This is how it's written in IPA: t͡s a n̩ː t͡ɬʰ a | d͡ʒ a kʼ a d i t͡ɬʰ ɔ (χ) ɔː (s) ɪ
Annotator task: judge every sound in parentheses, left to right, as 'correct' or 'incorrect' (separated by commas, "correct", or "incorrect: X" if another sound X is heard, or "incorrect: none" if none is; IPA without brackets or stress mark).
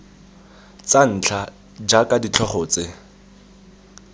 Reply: correct, incorrect: t͡s